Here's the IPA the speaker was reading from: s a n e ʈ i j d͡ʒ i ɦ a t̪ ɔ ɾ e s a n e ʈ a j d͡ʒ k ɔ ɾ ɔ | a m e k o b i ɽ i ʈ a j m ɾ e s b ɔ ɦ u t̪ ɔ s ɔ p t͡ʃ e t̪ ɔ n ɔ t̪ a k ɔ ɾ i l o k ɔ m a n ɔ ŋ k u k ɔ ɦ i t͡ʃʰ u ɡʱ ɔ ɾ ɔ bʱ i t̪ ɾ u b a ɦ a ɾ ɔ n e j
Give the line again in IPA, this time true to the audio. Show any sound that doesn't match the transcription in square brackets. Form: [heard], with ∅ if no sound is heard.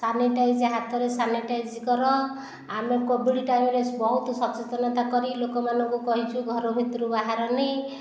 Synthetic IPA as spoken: s a n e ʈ [a] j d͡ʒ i ɦ a t̪ ɔ ɾ e s a n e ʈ a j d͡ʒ k ɔ ɾ ɔ | a m e k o b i ɽ i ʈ a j m ɾ e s b ɔ ɦ u t̪ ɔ s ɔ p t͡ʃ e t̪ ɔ n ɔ t̪ a k ɔ ɾ i l o k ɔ m a n ɔ ŋ k u k ɔ ɦ i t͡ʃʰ u ɡʱ ɔ ɾ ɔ bʱ i t̪ ɾ u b a ɦ a ɾ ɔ n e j